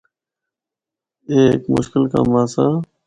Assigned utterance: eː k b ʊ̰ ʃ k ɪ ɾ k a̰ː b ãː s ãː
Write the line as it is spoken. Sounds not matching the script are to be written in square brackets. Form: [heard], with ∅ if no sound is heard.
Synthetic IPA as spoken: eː k [m] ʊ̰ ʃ k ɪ [l] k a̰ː [m] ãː s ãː